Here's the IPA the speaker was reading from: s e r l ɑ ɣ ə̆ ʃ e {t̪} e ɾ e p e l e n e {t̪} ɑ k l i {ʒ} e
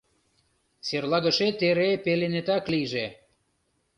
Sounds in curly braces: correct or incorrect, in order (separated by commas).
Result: correct, correct, correct